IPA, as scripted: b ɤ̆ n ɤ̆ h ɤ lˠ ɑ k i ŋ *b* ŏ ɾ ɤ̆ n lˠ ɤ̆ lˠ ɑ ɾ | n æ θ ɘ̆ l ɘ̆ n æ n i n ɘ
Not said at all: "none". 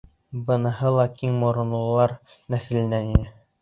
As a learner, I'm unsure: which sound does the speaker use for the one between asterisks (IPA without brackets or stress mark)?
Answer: m